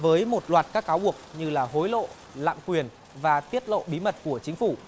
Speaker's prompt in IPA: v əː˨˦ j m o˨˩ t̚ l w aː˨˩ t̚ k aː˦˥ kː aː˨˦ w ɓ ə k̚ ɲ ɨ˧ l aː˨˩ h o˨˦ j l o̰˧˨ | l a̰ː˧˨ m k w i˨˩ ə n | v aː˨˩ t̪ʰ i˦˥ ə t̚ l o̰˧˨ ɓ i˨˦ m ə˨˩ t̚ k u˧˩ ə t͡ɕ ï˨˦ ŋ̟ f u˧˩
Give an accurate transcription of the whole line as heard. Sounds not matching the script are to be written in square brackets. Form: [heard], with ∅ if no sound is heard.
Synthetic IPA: v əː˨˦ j m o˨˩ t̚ l w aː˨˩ t̚ k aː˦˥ kː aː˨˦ w ɓ ə k̚ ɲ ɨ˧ l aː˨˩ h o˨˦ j l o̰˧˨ | l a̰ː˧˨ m k w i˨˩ ə n | v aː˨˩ [t̪] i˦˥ ə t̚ l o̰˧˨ ɓ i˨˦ m ə˨˩ t̚ k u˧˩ ə t͡ɕ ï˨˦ ŋ̟ f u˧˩